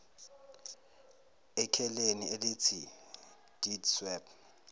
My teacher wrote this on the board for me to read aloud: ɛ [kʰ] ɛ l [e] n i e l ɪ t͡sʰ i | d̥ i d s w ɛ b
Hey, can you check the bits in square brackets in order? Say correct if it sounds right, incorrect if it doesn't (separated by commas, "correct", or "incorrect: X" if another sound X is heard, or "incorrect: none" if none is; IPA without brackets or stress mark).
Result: correct, correct